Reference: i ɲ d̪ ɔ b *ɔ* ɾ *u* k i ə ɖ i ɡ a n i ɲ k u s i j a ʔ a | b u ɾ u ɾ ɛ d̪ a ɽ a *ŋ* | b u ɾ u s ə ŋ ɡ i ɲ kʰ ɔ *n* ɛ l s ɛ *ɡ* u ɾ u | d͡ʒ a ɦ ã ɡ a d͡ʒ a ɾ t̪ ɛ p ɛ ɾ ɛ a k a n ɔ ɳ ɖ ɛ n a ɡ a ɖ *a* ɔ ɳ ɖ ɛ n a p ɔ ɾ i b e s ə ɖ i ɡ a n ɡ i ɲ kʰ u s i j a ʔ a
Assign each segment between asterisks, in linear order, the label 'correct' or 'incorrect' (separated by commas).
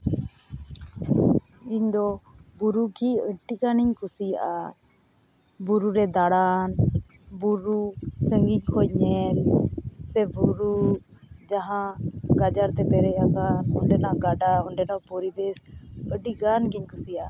incorrect, correct, incorrect, incorrect, incorrect, correct